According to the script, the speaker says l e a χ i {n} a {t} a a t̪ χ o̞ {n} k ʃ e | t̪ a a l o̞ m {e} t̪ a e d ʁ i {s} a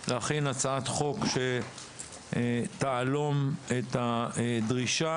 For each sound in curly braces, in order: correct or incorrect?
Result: correct, incorrect: t͡s, incorrect: none, correct, incorrect: ʃ

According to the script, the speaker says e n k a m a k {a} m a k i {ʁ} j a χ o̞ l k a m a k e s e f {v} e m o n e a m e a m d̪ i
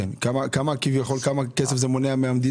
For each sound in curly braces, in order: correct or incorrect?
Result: correct, incorrect: v, incorrect: z

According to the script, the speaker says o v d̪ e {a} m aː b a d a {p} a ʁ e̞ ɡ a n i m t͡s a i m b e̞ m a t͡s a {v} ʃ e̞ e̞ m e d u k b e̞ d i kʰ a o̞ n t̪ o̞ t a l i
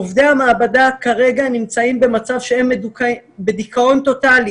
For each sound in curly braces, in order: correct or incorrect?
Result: correct, incorrect: k, correct

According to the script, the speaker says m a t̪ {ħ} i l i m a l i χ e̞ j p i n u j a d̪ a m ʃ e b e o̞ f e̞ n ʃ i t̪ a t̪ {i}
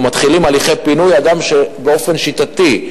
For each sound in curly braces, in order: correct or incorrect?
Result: incorrect: χ, correct

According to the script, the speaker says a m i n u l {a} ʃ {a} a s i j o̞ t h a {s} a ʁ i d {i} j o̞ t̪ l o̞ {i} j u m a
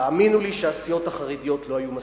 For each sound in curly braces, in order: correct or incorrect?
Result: incorrect: i, incorrect: e, incorrect: χ, correct, incorrect: a

